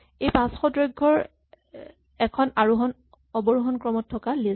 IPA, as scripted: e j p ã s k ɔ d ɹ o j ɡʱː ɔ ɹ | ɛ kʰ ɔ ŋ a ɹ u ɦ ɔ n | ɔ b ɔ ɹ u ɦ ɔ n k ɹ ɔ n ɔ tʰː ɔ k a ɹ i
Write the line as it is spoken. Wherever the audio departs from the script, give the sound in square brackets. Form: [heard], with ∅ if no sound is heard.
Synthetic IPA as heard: e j p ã s [x] ɔ d ɹ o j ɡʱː ɔ ɹ | ɛ kʰ ɔ [n] a ɹ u ɦ ɔ n | ɔ b ɔ ɹ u ɦ ɔ n k ɹ ɔ [m] ɔ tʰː ɔ k a [l] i